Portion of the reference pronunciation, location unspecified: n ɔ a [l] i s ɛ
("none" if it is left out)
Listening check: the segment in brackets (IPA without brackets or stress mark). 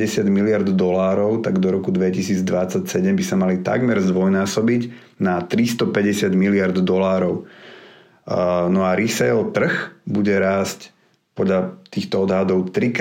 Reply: ɾ